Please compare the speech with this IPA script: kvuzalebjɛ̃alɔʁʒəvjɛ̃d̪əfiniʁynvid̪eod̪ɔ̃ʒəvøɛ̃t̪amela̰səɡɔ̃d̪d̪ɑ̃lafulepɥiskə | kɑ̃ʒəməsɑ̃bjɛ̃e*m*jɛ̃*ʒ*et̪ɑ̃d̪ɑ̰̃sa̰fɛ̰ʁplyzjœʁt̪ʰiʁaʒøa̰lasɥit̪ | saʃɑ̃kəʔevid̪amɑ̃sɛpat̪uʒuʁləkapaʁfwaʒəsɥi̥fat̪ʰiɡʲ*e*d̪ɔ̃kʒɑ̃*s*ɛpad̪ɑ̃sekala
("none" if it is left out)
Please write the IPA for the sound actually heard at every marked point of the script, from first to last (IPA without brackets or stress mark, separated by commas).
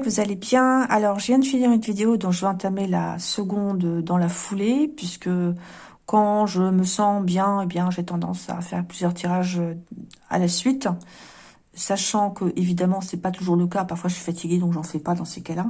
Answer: b, ʒ, e, f